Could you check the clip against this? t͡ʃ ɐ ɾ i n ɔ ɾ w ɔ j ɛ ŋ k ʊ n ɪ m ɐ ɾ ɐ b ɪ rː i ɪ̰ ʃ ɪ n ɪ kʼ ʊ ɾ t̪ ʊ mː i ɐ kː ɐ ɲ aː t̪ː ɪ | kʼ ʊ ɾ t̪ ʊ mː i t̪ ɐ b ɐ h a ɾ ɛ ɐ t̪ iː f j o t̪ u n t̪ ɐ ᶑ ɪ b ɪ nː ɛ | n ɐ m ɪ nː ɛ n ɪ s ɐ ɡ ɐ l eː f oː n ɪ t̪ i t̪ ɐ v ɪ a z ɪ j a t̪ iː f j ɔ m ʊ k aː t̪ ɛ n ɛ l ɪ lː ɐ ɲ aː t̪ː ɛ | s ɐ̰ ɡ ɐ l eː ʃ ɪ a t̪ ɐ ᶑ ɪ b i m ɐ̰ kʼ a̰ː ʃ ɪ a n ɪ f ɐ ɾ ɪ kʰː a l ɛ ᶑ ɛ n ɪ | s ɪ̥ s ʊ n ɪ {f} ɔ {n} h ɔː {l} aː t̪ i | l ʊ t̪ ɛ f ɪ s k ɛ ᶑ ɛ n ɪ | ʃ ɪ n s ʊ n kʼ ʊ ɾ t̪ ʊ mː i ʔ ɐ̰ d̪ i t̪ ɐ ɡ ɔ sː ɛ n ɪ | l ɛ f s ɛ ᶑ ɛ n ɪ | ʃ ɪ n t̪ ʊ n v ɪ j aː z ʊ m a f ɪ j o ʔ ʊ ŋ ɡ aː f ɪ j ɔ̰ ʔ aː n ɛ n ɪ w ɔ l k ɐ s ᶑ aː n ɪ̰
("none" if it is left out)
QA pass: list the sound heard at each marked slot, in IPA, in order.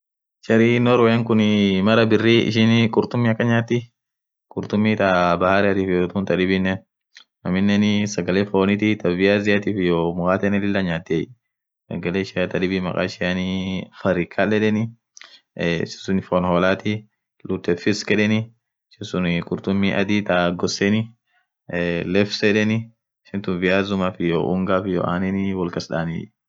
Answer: f, n, l

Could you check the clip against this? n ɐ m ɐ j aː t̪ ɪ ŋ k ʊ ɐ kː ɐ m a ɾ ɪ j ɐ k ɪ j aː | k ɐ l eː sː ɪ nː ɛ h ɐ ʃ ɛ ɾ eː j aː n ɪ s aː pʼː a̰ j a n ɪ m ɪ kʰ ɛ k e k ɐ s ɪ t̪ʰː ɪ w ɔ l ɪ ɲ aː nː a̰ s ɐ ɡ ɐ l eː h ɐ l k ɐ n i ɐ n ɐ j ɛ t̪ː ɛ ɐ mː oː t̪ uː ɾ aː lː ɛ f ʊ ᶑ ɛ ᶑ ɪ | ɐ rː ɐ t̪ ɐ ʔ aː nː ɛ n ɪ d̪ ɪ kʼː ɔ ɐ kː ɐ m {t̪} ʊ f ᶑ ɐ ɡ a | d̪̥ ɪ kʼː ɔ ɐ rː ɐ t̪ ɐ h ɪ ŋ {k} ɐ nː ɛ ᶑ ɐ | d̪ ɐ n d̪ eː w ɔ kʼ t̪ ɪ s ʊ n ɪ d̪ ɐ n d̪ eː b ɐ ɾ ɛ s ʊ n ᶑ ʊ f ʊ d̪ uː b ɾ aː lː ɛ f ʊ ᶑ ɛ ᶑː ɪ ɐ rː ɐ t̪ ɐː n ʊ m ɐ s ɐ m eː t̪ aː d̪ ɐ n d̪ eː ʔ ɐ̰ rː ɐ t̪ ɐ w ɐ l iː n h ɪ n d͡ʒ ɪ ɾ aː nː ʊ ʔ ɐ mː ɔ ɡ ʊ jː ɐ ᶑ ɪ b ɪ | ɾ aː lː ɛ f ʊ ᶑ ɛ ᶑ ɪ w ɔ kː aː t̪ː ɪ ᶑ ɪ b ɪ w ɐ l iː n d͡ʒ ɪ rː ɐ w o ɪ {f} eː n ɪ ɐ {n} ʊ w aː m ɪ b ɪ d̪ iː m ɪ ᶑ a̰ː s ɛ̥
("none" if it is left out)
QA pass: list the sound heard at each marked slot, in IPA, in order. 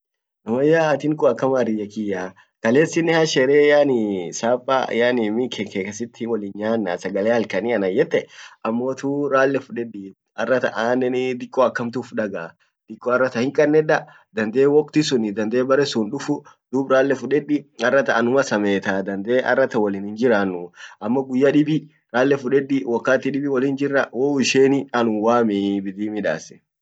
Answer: t̪, kʼ, ʃ, n

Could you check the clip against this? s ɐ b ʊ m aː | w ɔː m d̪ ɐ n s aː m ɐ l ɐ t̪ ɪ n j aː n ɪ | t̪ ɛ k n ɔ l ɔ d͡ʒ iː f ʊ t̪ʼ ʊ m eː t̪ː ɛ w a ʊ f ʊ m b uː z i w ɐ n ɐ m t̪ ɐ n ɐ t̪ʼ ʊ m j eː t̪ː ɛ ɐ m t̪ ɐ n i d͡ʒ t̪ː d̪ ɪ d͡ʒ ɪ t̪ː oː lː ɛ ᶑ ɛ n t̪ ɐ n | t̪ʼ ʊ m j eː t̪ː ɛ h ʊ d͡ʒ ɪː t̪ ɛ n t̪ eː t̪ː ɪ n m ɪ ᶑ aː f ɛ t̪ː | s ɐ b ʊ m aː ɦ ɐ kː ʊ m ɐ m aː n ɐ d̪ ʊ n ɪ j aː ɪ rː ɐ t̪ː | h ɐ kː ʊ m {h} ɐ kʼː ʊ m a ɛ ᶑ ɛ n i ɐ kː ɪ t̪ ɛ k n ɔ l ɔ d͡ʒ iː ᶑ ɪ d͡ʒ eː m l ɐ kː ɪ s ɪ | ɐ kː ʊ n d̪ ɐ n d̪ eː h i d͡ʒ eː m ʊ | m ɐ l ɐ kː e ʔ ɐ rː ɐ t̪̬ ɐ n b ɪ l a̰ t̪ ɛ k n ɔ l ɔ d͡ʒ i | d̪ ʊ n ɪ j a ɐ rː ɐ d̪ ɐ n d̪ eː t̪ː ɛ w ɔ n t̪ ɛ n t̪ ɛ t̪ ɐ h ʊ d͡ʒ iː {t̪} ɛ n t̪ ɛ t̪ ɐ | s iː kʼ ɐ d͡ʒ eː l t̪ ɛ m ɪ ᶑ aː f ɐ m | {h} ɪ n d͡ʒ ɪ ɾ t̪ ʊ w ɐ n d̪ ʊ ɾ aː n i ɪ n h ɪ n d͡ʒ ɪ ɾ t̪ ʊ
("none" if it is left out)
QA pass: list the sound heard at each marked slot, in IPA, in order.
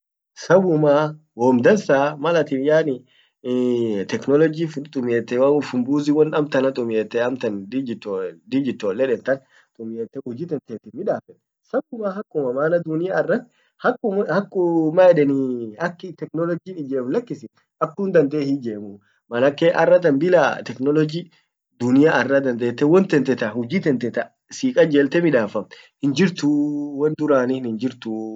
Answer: h, t̪, h

